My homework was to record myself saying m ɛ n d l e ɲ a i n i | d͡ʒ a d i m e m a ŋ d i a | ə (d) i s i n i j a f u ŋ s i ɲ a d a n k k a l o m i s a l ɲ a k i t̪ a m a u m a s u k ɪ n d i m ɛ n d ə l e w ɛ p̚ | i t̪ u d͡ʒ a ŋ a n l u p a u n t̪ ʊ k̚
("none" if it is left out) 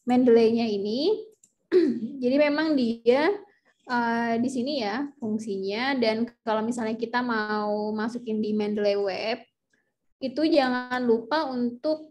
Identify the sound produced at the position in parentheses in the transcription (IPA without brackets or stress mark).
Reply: d